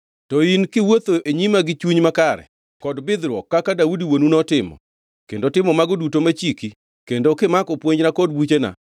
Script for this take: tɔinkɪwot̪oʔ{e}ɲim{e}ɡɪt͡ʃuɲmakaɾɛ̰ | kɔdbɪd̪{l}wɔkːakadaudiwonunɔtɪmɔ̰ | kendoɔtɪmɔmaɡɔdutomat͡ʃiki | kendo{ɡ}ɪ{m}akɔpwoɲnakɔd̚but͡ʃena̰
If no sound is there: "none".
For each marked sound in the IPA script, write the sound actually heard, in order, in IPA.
e, a, ɾ, k, m

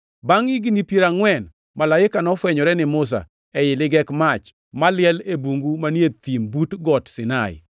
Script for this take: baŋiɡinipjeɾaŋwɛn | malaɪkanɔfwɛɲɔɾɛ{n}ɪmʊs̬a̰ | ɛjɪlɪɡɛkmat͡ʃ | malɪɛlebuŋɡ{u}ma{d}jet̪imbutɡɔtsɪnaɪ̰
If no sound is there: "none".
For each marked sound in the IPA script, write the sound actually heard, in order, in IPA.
n, u, n

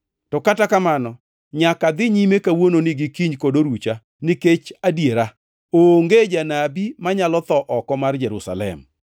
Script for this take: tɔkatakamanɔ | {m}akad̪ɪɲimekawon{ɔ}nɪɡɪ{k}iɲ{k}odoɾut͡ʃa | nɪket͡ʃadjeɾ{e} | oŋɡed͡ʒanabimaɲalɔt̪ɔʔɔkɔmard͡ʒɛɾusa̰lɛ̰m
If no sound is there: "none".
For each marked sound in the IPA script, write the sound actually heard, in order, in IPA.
ɲ, o, k, k, a

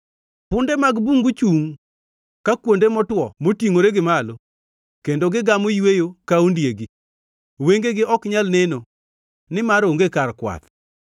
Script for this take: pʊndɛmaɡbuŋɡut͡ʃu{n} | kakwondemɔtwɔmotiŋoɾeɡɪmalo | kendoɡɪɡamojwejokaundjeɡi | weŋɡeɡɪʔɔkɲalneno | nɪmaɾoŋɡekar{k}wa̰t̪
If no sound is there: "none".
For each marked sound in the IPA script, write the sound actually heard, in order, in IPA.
ŋ, k

